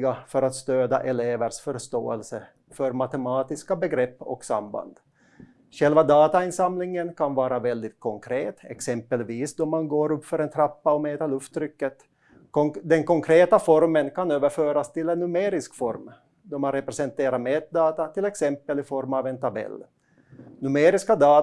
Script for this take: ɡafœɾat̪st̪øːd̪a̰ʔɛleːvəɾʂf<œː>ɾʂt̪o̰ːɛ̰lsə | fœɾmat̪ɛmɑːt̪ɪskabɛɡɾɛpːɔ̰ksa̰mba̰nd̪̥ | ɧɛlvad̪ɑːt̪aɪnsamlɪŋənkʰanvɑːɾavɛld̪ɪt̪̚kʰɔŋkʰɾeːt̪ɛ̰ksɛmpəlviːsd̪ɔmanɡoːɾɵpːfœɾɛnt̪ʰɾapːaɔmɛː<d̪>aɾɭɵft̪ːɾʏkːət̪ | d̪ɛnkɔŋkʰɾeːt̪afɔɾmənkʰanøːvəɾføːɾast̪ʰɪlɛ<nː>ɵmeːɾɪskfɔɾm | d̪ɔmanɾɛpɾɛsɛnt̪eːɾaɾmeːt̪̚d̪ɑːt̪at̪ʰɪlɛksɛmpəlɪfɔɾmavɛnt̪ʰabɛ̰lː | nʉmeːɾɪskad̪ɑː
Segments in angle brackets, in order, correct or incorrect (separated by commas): incorrect, incorrect, correct